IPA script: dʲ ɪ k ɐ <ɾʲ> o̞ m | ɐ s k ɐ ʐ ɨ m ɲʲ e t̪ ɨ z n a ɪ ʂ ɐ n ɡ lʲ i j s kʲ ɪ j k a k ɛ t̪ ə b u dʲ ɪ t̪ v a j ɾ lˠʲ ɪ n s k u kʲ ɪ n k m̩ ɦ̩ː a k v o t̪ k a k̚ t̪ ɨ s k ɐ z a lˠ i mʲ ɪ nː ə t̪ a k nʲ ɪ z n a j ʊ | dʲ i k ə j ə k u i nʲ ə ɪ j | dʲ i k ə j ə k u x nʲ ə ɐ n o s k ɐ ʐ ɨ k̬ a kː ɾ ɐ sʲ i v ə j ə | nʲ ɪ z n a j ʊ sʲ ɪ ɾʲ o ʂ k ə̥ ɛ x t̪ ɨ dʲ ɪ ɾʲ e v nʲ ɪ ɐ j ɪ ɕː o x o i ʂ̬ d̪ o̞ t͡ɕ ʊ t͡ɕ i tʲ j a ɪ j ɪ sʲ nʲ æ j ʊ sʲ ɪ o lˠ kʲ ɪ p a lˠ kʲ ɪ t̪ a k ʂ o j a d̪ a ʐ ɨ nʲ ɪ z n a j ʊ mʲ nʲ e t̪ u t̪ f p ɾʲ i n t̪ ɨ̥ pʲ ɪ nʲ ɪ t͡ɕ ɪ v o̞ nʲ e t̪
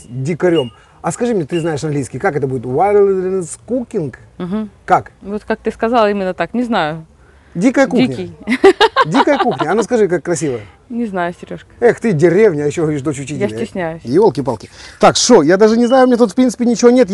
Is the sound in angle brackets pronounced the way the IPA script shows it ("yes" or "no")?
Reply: yes